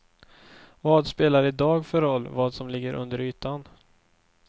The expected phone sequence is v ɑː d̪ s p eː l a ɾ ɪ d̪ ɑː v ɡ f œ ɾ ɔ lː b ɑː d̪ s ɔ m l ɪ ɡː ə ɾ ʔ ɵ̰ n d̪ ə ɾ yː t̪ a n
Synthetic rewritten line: v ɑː d̪ s p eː l a ɾ ɪ d̪ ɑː ɡ f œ ɾ ɔ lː v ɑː d̪ s ɔ m l ɪ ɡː ə ɾ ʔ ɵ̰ n d̪ ə ɾ yː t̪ a n

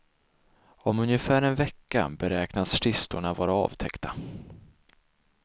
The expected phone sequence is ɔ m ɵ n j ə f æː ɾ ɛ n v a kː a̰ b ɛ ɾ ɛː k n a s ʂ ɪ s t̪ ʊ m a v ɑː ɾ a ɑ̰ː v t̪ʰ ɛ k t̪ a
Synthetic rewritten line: ɔ m ɵ n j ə f æː ɾ ɛ n v ɛ kː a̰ b ɛ ɾ ɛː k n a s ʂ ɪ s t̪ ʊ ɳ a v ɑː ɾ a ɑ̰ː v t̪ʰ ɛ k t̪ a

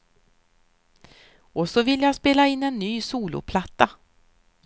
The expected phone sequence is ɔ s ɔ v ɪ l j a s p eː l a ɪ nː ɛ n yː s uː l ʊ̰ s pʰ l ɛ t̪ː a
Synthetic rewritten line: ɔ s ɔ v ɪ l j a s p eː l a ɪ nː ɛ nː yː s uː l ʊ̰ pʰ l a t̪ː a

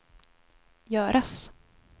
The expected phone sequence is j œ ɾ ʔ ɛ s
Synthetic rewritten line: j œː ɾ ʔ a s

